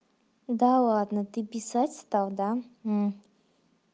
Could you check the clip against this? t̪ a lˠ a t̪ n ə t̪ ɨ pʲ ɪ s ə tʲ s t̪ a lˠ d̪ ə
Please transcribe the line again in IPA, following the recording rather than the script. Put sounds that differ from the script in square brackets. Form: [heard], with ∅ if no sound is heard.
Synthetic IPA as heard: [d̪] a lˠ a [d̪] n ə t̪ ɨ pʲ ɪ s [a] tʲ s t̪ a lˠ d̪ [a]